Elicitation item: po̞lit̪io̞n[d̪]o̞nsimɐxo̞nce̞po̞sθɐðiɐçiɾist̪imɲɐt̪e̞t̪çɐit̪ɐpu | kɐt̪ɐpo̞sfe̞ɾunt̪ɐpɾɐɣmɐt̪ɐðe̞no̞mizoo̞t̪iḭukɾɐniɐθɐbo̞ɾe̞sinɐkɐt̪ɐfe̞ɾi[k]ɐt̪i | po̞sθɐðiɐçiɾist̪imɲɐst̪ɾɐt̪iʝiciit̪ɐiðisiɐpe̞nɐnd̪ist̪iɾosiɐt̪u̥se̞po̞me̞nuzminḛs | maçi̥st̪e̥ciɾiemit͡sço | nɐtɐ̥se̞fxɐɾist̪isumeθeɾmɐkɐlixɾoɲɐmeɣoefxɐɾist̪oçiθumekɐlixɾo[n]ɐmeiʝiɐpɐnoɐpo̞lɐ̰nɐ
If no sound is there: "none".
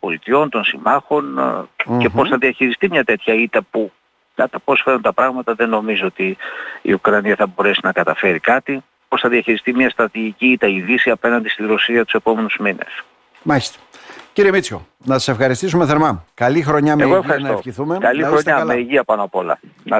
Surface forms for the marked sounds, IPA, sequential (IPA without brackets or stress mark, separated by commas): t̪, k, ɲ